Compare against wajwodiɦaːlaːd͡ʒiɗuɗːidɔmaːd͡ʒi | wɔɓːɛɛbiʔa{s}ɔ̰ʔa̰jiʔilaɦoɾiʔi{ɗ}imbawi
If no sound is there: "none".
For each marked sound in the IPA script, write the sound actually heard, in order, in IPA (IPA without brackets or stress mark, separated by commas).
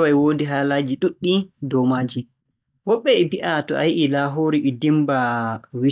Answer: t, d